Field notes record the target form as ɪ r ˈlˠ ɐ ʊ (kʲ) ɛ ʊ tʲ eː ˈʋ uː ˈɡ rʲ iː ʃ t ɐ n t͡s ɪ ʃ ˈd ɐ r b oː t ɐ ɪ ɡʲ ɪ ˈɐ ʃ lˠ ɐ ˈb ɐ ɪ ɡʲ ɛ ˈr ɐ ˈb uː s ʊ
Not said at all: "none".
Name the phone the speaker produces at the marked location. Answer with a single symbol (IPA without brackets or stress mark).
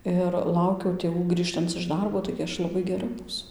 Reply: kʲ